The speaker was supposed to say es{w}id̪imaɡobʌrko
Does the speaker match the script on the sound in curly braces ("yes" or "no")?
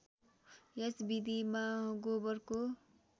no